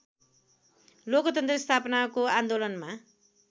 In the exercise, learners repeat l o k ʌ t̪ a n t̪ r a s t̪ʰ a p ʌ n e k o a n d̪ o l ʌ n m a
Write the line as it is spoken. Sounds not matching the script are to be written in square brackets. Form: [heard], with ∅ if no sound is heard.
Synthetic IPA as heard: l o k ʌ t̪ [ʌ] n t̪ r [ʌ] s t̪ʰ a p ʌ n [a] k o a n d̪ o l ʌ n m a